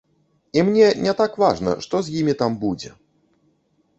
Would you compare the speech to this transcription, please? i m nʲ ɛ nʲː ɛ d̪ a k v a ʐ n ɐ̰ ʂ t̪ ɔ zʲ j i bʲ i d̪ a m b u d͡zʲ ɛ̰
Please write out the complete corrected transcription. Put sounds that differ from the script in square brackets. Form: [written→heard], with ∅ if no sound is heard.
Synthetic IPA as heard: i m nʲ ɛ [nʲː→nʲ] ɛ [d̪→t̪] a k v a ʐ n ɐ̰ ʂ t̪ ɔ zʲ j i [bʲ→mʲ] i [d̪→t̪] a m b u d͡zʲ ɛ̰

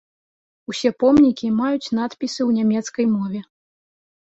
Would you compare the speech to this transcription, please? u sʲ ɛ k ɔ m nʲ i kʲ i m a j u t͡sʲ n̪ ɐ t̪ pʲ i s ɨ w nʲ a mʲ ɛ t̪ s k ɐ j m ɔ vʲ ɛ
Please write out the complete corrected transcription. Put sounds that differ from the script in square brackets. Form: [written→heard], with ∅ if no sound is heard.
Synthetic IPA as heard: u sʲ ɛ [k→p] ɔ m nʲ i kʲ i m a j u t͡sʲ n̪ [ɐ→a] t̪ pʲ i s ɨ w nʲ a mʲ ɛ t̪ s k ɐ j m ɔ vʲ ɛ

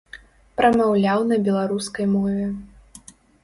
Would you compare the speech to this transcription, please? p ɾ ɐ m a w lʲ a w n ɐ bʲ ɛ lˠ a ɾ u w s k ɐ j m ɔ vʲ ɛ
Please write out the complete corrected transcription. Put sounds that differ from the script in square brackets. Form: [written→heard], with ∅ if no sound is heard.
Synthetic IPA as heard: p ɾ ɐ m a w lʲ a w n ɐ bʲ ɛ lˠ a ɾ u [w→∅] s k ɐ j m ɔ vʲ ɛ

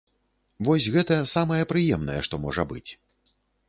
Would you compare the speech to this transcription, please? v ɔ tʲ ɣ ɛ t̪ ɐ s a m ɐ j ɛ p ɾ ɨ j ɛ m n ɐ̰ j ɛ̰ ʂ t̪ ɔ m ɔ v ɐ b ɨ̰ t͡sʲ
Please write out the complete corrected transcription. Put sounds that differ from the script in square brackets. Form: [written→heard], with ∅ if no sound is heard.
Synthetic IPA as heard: v ɔ [tʲ→sʲ] ɣ ɛ t̪ ɐ s a m ɐ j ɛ p ɾ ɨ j ɛ m n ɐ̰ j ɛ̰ ʂ t̪ ɔ m ɔ [v→ʐ] ɐ b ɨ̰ t͡sʲ

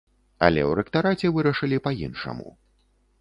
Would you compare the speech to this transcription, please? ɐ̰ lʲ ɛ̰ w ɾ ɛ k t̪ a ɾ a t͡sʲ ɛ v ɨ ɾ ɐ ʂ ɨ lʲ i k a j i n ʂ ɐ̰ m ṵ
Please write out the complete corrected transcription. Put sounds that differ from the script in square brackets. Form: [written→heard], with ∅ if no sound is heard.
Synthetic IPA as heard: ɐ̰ lʲ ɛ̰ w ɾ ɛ k t̪ a ɾ a t͡sʲ ɛ v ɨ ɾ ɐ ʂ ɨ lʲ i [k→p] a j i n ʂ ɐ̰ m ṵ

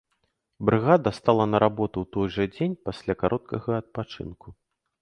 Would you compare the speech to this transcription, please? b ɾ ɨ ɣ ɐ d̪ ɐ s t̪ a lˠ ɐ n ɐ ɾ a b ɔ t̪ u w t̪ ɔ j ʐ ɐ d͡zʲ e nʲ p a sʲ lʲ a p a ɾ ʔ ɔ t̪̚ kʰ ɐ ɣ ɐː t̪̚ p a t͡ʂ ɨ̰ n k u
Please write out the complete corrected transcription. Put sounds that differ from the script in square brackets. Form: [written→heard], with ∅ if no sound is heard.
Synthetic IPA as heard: b ɾ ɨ ɣ [ɐ→a] d̪ ɐ s t̪ a lˠ ɐ n ɐ ɾ a b ɔ t̪ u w t̪ ɔ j ʐ ɐ d͡zʲ e nʲ p a sʲ lʲ a [p→k] a ɾ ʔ ɔ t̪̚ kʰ ɐ ɣ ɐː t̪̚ p a t͡ʂ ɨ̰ n k u

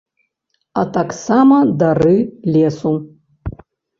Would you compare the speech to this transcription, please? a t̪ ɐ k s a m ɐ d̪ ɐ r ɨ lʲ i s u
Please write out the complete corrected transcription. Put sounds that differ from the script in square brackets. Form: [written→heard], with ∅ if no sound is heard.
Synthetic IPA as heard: a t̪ [ɐ→a] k s a m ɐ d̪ [ɐ→a] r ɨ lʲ [i→e] s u

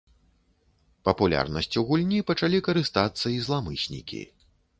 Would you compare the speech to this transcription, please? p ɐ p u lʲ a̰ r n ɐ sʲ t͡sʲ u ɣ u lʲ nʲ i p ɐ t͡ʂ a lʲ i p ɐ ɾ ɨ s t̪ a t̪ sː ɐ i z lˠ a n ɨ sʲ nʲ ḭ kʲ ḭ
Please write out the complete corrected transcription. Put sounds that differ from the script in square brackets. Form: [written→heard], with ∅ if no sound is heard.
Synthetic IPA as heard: p ɐ p u lʲ a̰ r n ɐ sʲ t͡sʲ u ɣ u lʲ nʲ i p ɐ t͡ʂ a lʲ i [p→k] ɐ ɾ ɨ s t̪ a t̪ sː ɐ i z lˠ a [n→m] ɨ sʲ nʲ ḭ kʲ ḭ

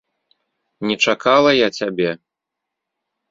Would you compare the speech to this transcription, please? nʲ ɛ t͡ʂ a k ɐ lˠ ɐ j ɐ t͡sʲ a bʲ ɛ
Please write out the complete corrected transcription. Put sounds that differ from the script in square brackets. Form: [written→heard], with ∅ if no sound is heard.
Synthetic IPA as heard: nʲ ɛ t͡ʂ a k [ɐ→a] lˠ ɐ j [ɐ→a] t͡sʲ a bʲ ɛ

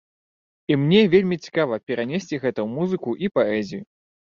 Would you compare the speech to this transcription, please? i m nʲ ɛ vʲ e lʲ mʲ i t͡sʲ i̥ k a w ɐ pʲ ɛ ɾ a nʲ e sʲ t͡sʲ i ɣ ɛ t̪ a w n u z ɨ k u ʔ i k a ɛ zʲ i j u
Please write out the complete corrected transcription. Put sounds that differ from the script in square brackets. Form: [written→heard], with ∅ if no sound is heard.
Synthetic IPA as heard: i m nʲ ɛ vʲ e lʲ mʲ i t͡sʲ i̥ k a [w→v] ɐ pʲ ɛ ɾ a nʲ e sʲ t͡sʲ i ɣ ɛ t̪ [a→ɐ] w [n→m] u z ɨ k u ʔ i [k→p] a ɛ zʲ i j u

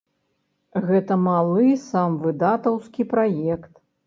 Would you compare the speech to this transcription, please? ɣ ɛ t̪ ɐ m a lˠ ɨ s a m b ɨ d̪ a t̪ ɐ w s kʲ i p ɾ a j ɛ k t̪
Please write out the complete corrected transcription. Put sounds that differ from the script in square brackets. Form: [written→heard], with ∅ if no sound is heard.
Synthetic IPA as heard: ɣ ɛ t̪ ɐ m a lˠ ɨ s a m [b→v] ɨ d̪ a t̪ ɐ w s kʲ i p ɾ a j ɛ k t̪

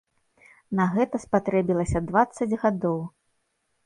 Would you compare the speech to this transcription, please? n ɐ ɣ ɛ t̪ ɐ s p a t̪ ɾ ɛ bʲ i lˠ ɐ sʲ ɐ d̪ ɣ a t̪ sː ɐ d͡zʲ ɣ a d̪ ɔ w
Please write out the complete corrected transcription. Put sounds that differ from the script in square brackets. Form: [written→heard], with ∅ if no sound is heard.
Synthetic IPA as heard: n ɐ ɣ ɛ t̪ ɐ s p a t̪ ɾ ɛ bʲ i lˠ ɐ sʲ ɐ d̪ [ɣ→v] a t̪ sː ɐ d͡zʲ ɣ a d̪ ɔ w

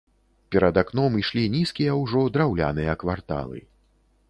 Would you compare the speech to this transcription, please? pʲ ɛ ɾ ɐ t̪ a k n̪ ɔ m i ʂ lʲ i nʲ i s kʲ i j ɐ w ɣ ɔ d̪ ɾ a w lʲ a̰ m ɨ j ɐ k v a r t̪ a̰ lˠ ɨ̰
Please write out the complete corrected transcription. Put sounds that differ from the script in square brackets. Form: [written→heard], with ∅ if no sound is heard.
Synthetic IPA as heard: pʲ ɛ ɾ ɐ [t̪→d̪] a k n̪ ɔ m i ʂ lʲ i nʲ i s kʲ i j ɐ w [ɣ→ʐ] ɔ d̪ ɾ a w lʲ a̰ [m→n] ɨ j ɐ k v a r t̪ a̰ lˠ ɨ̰

